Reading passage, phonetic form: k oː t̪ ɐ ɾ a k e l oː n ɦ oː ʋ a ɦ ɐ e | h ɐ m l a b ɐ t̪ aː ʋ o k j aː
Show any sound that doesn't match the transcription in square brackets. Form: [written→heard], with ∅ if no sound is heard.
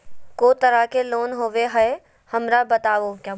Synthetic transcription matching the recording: k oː t̪ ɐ ɾ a k e l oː n ɦ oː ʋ [a→e] ɦ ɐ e | h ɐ m [l→ɾ] a b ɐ t̪ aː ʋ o k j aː

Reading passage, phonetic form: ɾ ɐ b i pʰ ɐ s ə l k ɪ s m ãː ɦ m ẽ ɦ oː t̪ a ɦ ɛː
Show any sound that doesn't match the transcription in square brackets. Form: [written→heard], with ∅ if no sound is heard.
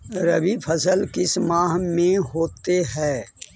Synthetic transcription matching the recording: ɾ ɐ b i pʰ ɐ s ə l k ɪ s m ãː ɦ m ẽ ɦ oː t̪ [a→e] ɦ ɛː

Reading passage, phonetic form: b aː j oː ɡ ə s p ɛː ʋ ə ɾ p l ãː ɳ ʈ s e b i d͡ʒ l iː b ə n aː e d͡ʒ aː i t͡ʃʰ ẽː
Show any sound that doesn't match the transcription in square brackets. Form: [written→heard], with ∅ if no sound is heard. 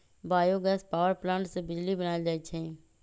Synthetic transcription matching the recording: b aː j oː ɡ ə s p [ɛː→aː] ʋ ə ɾ p l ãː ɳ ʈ s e b [i→ɪ] d͡ʒ l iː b ə n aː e d͡ʒ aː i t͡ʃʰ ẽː

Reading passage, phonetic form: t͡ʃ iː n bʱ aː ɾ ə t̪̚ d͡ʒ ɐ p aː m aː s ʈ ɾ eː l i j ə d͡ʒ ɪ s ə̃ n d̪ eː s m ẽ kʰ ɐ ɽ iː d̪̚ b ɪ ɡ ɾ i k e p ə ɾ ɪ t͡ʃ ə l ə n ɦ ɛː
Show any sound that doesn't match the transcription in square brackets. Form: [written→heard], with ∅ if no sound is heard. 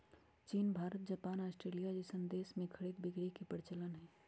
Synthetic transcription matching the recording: t͡ʃ iː n bʱ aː ɾ ə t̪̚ d͡ʒ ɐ p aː [m→n] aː s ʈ ɾ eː l i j [ə→a] d͡ʒ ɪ s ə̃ n d̪ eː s m ẽ kʰ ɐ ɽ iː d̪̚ b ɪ ɡ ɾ i k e p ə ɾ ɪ t͡ʃ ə l ə n ɦ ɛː

